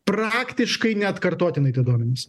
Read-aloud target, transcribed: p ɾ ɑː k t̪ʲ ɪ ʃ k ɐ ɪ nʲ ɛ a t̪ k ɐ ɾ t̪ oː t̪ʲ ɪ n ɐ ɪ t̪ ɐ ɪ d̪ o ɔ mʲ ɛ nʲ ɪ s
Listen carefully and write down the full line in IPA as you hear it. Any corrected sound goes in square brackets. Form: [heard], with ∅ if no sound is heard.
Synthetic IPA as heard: p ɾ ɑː k t̪ʲ ɪ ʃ k ɐ ɪ nʲ ɛ [ɐ] t̪ k ɐ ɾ t̪ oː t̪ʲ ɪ n ɐ ɪ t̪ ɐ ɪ d̪ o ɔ mʲ ɛ nʲ ɪ s